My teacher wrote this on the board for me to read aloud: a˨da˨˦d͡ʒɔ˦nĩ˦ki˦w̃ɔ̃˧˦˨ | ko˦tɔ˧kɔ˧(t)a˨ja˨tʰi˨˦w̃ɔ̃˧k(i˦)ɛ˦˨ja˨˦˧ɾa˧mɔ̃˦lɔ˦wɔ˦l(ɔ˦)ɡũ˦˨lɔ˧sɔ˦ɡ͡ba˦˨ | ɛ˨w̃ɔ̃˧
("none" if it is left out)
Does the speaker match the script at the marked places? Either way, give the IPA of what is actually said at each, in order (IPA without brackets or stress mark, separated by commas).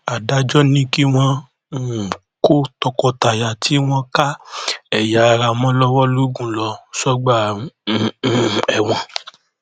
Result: t, a˦, u˦